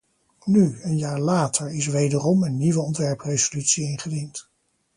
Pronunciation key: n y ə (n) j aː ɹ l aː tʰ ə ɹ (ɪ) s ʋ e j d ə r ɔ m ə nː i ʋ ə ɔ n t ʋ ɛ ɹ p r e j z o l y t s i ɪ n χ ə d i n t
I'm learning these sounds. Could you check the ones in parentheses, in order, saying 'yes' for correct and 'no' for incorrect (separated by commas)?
yes, yes